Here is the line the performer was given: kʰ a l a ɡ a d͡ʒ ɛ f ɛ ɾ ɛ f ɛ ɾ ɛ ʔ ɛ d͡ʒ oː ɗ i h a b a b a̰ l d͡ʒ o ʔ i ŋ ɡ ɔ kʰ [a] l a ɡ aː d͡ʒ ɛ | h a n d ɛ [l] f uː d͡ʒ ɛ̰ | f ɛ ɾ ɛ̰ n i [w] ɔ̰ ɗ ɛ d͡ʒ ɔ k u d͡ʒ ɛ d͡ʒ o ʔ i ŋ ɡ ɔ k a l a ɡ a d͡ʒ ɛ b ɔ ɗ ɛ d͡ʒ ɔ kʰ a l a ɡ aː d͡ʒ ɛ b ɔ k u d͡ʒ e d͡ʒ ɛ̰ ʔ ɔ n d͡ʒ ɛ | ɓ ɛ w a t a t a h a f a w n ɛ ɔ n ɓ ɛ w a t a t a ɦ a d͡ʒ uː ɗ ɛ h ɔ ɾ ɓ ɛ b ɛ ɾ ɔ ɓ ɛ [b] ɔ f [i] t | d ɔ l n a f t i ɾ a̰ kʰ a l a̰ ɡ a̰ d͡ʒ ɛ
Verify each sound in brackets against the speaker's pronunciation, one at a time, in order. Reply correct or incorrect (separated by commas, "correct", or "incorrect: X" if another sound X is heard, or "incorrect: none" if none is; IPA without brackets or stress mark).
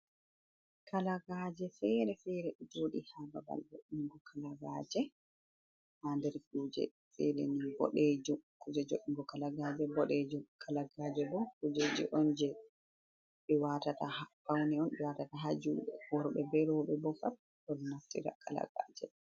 correct, incorrect: ɾ, incorrect: b, correct, incorrect: a